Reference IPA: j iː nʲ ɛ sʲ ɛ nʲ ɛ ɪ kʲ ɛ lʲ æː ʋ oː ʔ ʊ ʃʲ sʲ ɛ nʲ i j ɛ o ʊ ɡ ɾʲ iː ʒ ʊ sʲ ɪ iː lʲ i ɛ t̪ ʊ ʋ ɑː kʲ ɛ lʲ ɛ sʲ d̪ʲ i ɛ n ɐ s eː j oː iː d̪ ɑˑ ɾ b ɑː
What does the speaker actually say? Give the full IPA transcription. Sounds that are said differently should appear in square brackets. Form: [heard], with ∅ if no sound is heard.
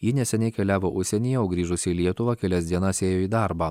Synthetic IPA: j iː nʲ ɛ sʲ ɛ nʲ ɛ ɪ kʲ ɛ lʲ æː ʋ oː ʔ ʊ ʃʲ sʲ ɛ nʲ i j ɛ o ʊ ɡ ɾʲ iː ʒ ʊ sʲ ɪ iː lʲ i ɛ t̪ ʊ ʋ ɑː kʲ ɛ lʲ ɛ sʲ d̪ʲ i ɛ n ɐ s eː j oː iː d̪ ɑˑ ɾ b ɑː

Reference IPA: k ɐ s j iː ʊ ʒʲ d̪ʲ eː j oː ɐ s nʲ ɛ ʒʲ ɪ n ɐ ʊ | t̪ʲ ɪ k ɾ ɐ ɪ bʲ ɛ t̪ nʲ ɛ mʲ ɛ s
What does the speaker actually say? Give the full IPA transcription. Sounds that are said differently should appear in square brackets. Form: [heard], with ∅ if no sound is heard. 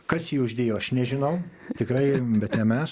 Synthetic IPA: k ɐ s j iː ʊ ʒʲ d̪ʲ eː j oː ɐ [ʃ] nʲ ɛ ʒʲ ɪ n ɐ ʊ | t̪ʲ ɪ k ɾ ɐ ɪ bʲ ɛ t̪ nʲ ɛ mʲ ɛ s

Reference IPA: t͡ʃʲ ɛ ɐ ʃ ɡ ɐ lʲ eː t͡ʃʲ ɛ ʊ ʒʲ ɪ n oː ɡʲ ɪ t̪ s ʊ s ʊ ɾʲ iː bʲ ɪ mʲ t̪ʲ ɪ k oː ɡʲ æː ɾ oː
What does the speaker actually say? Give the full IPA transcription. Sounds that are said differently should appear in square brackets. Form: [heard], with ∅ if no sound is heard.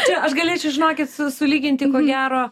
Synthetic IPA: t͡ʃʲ ɛ ɐ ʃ ɡ ɐ lʲ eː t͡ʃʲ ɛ ʊ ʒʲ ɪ n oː [kʲ] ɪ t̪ s ʊ s ʊ [lʲ] iː [ɡʲ] ɪ [nʲ] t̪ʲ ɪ k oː ɡʲ æː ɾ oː

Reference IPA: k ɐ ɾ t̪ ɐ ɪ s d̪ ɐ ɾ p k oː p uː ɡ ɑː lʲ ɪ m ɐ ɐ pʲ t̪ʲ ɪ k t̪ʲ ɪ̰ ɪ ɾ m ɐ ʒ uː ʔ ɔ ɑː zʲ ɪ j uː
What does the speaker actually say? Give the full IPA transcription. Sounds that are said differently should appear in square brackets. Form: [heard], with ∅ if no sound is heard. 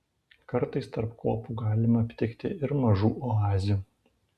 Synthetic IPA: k ɐ ɾ t̪ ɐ ɪ s [t̪] ɐ ɾ p k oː p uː ɡ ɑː lʲ ɪ m ɐ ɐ pʲ t̪ʲ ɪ k t̪ʲ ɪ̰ ɪ ɾ m ɐ ʒ uː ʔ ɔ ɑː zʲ ɪ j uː

